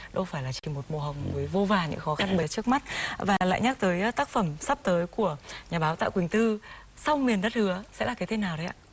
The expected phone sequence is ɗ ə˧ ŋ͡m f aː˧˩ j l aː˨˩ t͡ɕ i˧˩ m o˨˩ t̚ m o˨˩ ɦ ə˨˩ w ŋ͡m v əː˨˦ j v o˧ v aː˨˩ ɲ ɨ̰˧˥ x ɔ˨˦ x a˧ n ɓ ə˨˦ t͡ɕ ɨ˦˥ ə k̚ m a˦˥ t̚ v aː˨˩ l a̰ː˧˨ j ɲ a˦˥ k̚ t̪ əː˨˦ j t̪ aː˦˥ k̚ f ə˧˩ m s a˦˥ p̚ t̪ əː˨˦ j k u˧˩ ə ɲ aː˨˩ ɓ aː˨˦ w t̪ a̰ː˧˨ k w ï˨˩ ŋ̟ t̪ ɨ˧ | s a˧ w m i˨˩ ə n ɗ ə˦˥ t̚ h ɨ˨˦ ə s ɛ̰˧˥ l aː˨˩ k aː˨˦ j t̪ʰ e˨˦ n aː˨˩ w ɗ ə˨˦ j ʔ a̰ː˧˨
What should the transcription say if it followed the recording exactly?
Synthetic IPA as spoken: ɗ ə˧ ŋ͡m f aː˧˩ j l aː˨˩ t͡ɕ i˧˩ m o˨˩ t̚ m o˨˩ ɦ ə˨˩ w ŋ͡m v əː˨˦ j v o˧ v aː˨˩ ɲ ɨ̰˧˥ x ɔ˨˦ x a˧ n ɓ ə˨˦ t͡ɕ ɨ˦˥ ə k̚ m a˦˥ t̚ v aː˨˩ l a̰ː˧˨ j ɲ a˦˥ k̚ t̪ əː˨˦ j t̪ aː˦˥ k̚ f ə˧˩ m s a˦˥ p̚ t̪ əː˨˦ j k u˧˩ ə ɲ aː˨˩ ɓ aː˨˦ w t̪ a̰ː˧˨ k w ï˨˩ ŋ̟ t̪ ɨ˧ | s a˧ w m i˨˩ ə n ɗ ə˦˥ t̚ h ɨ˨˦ ə s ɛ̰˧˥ l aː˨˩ k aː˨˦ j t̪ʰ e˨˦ n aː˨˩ w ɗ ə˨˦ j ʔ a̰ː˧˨